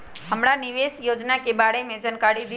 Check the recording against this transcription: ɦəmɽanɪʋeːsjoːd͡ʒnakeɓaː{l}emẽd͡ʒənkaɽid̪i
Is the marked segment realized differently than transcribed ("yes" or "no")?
yes